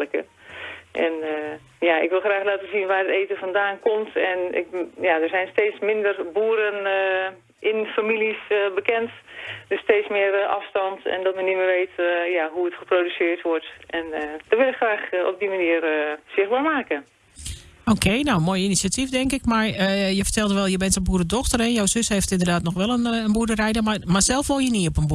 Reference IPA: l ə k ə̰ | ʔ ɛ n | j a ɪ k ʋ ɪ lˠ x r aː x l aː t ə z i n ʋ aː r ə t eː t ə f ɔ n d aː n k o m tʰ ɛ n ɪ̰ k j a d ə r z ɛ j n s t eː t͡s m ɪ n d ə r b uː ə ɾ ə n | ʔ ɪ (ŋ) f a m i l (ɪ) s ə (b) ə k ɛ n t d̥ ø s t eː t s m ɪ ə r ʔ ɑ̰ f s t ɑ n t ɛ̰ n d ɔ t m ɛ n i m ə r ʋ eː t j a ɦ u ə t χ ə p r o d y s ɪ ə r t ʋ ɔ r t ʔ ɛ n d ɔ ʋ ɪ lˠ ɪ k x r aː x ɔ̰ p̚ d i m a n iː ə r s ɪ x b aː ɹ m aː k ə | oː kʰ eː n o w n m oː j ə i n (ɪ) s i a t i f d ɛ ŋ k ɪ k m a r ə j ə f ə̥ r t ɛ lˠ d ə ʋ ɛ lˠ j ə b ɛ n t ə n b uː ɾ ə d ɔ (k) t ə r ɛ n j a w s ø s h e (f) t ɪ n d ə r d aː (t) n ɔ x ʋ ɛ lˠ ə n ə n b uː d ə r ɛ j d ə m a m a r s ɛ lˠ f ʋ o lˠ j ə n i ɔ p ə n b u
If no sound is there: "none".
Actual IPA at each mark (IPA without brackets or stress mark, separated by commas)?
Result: n, i, b, i, x, f, t